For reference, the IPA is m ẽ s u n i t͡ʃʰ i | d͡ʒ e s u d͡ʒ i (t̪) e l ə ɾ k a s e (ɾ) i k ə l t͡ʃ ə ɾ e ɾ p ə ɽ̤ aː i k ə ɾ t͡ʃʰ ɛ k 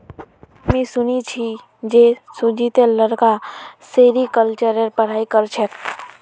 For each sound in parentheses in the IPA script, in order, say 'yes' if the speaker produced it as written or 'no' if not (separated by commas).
yes, yes